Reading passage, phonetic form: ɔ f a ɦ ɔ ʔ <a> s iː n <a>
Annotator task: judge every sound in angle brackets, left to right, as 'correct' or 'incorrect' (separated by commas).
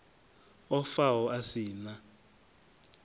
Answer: correct, correct